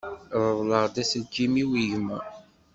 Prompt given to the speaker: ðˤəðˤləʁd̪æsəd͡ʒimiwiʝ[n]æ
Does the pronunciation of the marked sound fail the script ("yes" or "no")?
yes